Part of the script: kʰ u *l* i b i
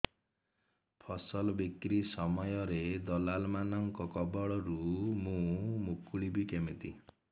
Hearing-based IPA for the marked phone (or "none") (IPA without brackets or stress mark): ɭ